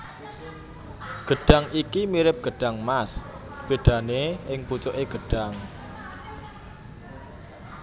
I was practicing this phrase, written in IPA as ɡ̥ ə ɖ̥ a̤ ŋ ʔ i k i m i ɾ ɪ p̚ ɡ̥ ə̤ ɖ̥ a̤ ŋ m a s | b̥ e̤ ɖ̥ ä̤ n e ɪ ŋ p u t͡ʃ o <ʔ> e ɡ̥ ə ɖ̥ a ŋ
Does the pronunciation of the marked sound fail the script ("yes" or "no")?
no